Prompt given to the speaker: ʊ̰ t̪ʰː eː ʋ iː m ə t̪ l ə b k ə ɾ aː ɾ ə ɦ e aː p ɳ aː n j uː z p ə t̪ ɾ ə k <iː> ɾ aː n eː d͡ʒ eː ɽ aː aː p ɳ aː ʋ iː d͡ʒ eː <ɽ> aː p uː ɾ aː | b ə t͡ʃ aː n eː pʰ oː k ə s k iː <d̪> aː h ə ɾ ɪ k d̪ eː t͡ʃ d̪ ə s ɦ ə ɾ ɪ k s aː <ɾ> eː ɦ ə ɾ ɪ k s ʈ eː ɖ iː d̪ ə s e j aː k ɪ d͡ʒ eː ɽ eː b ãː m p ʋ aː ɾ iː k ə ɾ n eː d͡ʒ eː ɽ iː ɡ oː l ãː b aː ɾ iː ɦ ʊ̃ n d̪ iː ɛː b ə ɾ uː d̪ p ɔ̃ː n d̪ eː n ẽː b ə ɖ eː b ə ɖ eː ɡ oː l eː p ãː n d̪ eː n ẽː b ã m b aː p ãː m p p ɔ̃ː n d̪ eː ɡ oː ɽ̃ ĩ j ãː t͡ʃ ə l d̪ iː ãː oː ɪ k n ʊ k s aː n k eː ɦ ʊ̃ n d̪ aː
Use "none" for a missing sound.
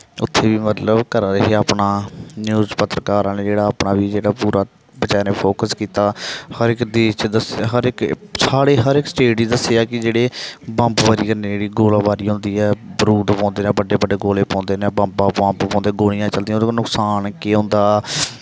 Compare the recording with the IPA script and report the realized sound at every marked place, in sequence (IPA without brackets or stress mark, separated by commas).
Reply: aː, ɽ, t̪, ɽ